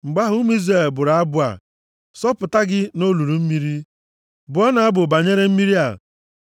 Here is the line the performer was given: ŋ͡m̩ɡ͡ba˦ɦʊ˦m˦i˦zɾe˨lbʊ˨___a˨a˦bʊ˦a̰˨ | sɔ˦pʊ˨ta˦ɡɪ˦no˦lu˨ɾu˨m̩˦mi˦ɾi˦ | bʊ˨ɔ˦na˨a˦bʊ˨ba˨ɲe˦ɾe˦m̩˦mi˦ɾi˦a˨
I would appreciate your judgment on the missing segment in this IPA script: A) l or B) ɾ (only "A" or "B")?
B